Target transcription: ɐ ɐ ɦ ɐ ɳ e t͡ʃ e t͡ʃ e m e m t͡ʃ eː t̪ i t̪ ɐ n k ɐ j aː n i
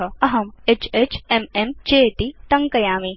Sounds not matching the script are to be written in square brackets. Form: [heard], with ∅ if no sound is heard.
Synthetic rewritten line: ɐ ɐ ɦ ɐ [m] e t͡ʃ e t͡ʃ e m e m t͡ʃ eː t̪ i t̪ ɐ [ŋ] k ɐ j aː [m] i